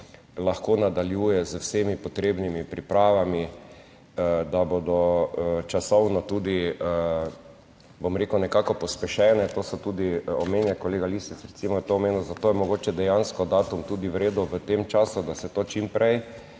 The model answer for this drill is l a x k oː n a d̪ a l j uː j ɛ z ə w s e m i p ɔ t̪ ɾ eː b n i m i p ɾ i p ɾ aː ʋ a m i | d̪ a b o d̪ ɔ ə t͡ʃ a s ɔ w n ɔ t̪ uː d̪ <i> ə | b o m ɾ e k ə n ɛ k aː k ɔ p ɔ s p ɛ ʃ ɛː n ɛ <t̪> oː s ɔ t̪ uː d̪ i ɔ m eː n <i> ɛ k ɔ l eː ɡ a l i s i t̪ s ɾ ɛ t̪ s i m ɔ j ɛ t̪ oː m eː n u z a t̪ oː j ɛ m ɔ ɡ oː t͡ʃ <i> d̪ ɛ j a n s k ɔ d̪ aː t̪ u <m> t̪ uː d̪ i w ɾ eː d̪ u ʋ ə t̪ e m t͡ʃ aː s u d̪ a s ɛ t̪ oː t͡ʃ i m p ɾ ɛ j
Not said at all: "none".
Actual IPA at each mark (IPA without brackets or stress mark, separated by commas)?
i, t̪, j, ɛ, m